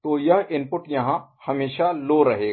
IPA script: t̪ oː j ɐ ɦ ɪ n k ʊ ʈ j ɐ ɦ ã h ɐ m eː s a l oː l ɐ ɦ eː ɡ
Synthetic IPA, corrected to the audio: t̪ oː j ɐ ɦ ɪ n p ʊ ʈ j ɐ ɦ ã h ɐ m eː ʃ a l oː ɾ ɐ ɦ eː ɡ